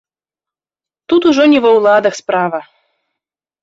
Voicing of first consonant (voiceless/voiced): voiceless